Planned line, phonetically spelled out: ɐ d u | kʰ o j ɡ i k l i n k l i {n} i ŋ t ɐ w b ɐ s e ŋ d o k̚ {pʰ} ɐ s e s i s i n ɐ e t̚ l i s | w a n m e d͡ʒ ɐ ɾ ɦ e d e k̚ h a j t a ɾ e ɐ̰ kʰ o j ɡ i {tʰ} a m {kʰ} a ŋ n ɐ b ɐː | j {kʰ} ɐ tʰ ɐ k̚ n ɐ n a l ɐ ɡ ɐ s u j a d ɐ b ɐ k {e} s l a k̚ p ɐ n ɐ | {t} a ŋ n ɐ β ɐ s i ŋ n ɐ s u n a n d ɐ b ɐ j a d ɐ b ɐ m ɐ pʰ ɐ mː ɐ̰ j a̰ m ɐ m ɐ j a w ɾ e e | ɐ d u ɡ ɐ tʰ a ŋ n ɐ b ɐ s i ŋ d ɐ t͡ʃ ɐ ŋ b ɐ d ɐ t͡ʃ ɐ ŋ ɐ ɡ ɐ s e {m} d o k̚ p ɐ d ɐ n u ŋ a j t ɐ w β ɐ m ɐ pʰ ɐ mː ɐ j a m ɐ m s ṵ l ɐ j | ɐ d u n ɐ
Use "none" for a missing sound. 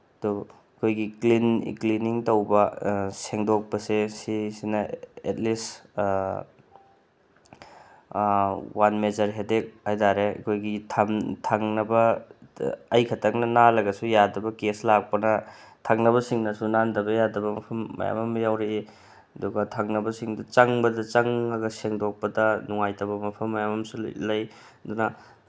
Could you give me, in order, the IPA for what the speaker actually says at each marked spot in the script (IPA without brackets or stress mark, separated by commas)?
n, p, tʰ, tʰ, kʰ, e, tʰ, ŋ